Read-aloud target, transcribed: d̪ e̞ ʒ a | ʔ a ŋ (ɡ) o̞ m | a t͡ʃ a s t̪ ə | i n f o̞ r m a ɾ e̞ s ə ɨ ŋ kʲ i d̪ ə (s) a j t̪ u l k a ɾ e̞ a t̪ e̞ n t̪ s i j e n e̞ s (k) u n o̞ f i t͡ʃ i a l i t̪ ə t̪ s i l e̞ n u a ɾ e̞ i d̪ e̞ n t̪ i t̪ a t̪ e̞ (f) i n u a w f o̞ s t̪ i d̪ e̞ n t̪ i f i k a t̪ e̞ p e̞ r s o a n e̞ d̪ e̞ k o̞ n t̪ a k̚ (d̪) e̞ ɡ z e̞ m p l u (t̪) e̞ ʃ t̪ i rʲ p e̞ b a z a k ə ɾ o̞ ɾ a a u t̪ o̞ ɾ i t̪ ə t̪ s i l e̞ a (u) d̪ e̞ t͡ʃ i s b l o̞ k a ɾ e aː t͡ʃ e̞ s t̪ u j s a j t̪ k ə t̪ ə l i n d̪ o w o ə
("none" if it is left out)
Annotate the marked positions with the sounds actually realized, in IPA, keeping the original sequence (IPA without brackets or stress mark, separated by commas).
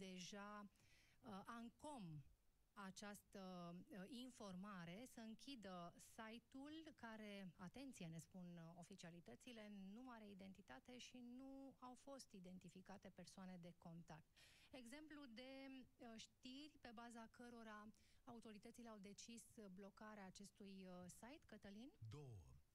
k, s, p, ʃ, t̪, d̪, w